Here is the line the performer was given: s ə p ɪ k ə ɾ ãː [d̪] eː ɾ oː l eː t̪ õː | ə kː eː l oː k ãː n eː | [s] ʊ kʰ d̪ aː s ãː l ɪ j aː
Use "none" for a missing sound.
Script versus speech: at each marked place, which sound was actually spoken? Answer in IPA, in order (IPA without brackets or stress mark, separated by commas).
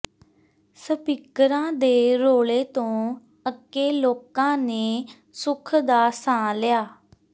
d̪, s